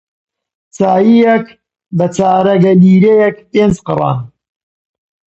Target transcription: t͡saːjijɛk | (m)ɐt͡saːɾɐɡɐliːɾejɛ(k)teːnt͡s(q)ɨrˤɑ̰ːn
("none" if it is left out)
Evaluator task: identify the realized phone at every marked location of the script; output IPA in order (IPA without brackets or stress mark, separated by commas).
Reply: b, k, q